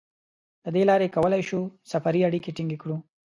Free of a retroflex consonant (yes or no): no